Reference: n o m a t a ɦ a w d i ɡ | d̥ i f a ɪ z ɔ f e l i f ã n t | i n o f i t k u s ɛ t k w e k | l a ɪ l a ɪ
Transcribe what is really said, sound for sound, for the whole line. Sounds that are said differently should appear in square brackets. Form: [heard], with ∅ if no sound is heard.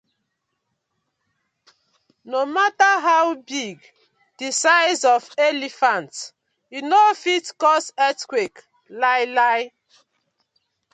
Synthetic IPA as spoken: n o m a t a ɦ a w [b] i ɡ | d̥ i [s] a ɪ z ɔ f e l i f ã n t | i n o f i t k [ɔ] s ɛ t k w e k | l a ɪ l a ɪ